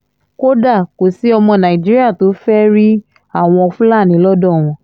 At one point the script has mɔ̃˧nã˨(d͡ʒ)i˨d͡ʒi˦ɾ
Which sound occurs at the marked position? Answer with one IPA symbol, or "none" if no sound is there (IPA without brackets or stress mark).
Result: none